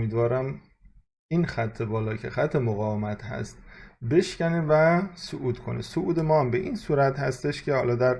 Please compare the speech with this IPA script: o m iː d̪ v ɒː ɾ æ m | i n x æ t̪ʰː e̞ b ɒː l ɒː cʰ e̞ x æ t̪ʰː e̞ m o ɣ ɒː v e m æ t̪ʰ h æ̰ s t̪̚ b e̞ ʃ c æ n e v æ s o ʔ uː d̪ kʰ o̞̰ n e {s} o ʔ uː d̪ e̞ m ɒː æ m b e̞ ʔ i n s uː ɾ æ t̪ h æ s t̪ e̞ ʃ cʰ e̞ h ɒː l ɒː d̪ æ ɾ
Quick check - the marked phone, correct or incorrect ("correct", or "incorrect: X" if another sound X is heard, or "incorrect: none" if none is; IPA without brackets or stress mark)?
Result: correct